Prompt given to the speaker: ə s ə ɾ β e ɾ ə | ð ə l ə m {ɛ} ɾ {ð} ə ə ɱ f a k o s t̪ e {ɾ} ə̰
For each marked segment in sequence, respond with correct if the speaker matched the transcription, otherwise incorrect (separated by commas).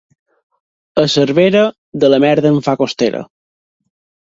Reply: correct, correct, correct